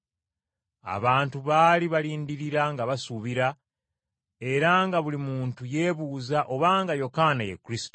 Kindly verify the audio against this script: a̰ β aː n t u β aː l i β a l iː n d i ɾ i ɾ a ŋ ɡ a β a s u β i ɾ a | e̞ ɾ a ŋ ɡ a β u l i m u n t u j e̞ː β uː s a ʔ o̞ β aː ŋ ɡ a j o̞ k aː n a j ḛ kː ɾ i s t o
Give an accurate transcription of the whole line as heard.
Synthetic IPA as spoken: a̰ β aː n t u β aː l i β a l iː n d i ɾ i ɾ a ŋ ɡ a β a s u β i ɾ a | e̞ ɾ a ŋ ɡ a β u l i m uː n t u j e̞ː β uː z a ʔ o̞ β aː ŋ ɡ a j o̞ k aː n a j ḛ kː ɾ i s t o